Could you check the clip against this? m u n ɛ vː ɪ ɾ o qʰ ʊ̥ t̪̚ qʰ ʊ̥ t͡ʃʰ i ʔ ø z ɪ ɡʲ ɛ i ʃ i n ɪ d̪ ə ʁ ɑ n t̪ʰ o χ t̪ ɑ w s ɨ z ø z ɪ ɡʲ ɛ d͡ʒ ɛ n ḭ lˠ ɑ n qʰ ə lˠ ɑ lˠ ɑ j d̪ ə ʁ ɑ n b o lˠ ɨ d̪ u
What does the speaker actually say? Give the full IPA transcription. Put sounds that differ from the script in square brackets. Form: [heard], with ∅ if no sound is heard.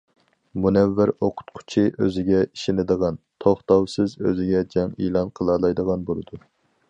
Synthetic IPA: m u n ɛ vː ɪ ɾ o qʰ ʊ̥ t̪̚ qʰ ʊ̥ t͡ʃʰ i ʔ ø z ɪ ɡʲ ɛ i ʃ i n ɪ d̪ ə ʁ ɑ n t̪ʰ o χ t̪ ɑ w s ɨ z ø z ɪ ɡʲ ɛ d͡ʒ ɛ [ŋ] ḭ lˠ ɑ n qʰ ə lˠ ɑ lˠ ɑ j d̪ ə ʁ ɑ n b o lˠ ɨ d̪ u